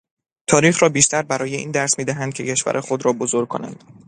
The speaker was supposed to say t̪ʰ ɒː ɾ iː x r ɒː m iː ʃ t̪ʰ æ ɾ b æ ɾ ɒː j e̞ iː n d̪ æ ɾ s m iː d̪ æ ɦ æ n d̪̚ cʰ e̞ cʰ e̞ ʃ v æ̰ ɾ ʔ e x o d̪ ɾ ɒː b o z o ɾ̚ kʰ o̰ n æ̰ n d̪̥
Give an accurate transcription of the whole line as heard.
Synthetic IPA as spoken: t̪ʰ ɒː ɾ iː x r ɒː b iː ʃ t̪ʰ æ ɾ b æ ɾ ɒː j e̞ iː n d̪ æ ɾ s m iː d̪ æ ɦ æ n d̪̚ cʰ e̞ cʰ e̞ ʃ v æ̰ ɾ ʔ e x o d̪ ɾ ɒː b o z o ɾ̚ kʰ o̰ n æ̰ n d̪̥

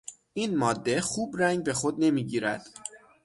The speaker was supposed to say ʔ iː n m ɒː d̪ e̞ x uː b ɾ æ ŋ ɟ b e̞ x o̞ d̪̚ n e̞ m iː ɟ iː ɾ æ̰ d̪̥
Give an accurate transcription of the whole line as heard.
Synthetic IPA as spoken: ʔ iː n m ɒː d̪ː e̞ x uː b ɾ æ ŋ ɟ b e̞ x o̞ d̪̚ n e̞ m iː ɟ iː ɾ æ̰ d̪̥

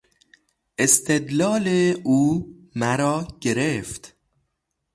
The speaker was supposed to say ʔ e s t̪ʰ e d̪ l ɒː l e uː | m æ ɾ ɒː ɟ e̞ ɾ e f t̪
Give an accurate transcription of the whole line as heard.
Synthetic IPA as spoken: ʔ e s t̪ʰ e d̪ l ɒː l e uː | m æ ɾ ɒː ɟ e̞ ɾ e f t̪

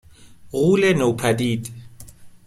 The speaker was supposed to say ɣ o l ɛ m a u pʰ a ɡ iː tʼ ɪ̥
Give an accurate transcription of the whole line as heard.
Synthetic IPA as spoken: ɣ u l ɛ n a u pʰ a d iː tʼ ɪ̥

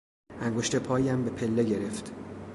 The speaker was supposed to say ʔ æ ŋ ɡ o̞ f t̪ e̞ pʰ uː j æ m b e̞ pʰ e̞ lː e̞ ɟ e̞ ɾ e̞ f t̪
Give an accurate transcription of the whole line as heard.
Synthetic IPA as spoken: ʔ æ ŋ ɡ o̞ ʃ t̪ e̞ pʰ ɒː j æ m b e̞ pʰ e̞ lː e̞ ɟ e̞ ɾ e̞ f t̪

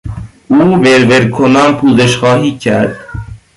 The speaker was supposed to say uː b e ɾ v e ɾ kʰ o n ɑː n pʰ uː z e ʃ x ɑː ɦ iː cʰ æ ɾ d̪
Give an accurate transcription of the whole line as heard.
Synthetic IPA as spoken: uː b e ɾ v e ɾ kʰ o n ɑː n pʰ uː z e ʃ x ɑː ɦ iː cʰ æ ɾ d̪

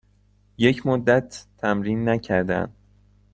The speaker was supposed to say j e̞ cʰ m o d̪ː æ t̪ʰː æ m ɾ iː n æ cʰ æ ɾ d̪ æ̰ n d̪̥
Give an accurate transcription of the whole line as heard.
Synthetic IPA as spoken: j e̞ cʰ m o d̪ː æ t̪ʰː æ m ɾ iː nː æ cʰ æ ɾ d̪ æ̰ n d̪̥

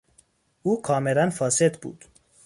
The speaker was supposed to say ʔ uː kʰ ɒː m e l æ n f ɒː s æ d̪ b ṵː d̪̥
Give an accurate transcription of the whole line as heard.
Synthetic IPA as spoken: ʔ uː kʰ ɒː m e l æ n f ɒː s e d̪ b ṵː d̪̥

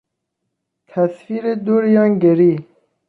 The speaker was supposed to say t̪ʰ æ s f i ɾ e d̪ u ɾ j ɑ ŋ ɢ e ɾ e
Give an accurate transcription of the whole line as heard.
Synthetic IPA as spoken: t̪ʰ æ s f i ɾ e d̪ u ɾ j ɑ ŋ ɡ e ɾ i

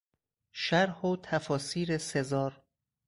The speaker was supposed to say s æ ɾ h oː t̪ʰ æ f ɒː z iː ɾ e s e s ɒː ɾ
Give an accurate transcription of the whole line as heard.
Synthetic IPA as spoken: ʃ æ ɾ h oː t̪ʰ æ f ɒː s iː ɾ e s e z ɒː ɾ

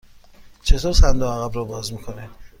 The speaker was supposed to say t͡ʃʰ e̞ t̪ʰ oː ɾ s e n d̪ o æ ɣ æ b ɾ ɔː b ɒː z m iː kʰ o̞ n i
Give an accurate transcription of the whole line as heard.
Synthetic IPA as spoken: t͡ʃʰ e̞ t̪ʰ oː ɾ s æ n d̪ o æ ɣ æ b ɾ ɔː b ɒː z m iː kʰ o̞ n e

